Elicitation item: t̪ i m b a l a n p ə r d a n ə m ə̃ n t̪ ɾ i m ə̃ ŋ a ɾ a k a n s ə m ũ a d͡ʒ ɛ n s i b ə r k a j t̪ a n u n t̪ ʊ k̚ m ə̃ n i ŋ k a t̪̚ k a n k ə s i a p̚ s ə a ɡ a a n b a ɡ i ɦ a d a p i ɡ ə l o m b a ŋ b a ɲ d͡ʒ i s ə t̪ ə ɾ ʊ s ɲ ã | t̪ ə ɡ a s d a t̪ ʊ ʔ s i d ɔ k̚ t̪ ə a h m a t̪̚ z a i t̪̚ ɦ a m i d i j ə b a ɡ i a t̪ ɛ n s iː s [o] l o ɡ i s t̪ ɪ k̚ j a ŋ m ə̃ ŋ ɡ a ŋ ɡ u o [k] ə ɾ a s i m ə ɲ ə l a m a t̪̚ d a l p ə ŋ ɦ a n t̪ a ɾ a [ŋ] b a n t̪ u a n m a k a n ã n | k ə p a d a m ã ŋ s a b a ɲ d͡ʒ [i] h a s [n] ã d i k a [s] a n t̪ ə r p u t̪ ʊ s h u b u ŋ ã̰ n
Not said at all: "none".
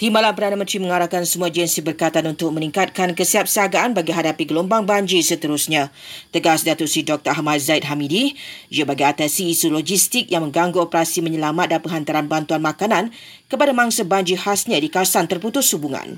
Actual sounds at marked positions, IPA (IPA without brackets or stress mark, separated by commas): u, p, n, i, ɲ, s